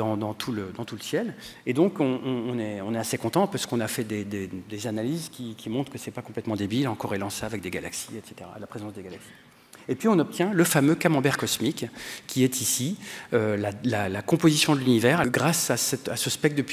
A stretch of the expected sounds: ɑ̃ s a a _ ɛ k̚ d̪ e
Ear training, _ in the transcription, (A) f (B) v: B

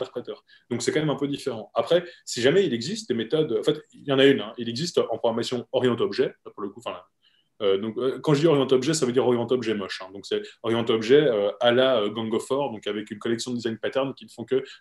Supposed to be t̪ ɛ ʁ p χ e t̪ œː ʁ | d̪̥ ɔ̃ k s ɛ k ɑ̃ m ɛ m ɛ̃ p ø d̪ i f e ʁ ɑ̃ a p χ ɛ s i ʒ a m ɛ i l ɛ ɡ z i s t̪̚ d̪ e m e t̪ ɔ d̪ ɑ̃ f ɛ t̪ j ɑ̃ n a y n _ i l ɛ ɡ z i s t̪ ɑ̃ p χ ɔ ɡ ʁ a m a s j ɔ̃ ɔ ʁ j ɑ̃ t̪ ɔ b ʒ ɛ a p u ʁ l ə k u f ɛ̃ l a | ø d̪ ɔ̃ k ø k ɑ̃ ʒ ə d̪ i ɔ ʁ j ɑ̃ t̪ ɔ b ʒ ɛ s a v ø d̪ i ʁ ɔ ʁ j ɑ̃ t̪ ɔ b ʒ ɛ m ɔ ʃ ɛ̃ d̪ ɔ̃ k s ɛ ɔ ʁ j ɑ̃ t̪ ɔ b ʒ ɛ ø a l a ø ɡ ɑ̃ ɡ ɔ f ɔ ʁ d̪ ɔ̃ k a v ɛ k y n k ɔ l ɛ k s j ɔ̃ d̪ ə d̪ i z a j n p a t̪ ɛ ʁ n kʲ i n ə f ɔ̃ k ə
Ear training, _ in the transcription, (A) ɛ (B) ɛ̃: B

